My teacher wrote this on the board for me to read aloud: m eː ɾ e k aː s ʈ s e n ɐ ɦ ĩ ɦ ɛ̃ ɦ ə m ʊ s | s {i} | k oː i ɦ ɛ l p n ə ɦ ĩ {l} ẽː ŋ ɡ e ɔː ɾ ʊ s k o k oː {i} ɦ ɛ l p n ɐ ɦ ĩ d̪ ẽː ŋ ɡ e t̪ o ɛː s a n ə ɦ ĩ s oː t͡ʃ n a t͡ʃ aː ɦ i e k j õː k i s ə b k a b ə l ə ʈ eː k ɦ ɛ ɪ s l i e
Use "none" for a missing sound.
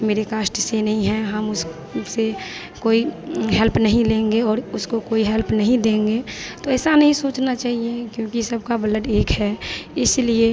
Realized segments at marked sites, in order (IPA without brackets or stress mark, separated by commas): e, l, i